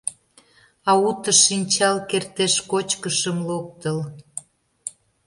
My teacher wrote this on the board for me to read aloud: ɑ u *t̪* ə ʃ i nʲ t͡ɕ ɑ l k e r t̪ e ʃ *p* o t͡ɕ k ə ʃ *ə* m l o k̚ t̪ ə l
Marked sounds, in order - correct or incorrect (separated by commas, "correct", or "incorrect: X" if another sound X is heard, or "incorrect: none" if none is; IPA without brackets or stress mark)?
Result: correct, incorrect: k, correct